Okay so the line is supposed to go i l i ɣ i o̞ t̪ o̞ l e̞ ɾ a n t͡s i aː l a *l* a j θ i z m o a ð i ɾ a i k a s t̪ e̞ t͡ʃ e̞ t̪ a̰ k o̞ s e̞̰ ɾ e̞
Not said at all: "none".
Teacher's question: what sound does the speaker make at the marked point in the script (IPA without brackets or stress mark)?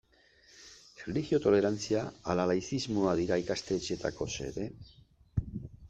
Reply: l